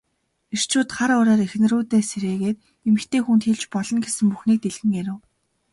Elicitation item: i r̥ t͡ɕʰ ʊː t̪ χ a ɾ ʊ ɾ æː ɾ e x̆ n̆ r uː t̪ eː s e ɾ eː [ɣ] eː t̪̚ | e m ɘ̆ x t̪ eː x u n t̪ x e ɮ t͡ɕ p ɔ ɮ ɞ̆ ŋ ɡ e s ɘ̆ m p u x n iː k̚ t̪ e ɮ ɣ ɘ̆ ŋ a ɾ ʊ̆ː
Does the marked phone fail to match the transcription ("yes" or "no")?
no